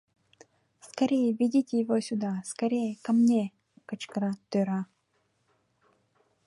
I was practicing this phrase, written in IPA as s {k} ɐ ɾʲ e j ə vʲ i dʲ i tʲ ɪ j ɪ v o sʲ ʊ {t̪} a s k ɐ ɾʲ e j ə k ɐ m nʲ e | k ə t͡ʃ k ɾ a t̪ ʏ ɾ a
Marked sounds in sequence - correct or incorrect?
correct, incorrect: d̪

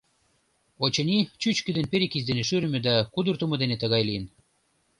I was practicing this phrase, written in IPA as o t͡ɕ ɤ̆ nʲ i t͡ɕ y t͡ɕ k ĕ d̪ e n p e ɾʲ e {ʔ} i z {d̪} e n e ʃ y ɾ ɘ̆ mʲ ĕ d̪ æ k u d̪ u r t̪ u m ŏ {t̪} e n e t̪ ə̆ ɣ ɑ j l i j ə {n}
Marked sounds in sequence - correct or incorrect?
incorrect: k, correct, incorrect: d̪, correct

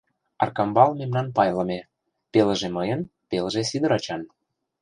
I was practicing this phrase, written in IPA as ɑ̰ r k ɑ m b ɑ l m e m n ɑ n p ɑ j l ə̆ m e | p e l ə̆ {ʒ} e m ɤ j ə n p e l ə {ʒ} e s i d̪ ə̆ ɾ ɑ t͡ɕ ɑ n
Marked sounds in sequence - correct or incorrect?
correct, correct

